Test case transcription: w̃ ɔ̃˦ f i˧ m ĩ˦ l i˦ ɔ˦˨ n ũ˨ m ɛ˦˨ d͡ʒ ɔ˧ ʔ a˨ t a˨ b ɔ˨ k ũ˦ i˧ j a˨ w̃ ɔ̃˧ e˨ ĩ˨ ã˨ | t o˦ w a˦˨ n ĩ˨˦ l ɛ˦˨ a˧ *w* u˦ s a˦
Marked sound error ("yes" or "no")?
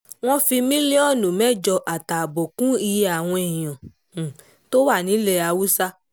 no